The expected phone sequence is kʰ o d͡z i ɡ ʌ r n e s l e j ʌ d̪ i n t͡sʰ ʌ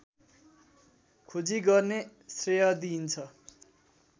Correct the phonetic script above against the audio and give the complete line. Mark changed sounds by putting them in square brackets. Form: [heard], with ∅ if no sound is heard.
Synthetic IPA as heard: kʰ o d͡z i ɡ ʌ r n e s [r] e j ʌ d̪ i n t͡sʰ ʌ